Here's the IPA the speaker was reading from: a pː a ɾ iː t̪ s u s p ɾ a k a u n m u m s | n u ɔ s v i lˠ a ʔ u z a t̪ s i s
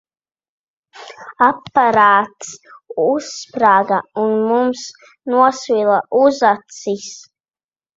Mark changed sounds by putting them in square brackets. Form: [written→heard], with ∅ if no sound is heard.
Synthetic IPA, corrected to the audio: a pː a ɾ [iː→aː] t̪ s u s p ɾ a [k→ɡ] a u n m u m s | n u ɔ s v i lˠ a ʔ u z a t̪ s i s